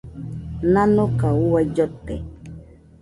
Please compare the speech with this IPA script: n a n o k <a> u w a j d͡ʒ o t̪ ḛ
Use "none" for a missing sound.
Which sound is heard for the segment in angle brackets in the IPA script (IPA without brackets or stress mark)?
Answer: a